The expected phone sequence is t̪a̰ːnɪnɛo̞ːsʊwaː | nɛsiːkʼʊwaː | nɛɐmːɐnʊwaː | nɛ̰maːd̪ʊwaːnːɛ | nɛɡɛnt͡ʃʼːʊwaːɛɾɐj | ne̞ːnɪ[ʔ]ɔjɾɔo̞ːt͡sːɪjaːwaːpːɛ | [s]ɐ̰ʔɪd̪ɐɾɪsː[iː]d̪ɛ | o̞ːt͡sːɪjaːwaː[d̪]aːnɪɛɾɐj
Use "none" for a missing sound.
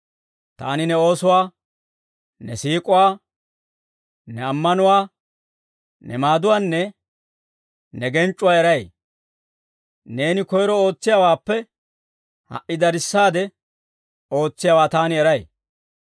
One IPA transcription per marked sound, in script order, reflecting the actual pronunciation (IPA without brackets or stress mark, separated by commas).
k, h, aː, t̪